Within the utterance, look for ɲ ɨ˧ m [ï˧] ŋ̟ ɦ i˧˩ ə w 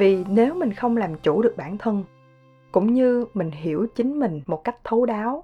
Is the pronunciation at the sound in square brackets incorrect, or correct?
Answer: incorrect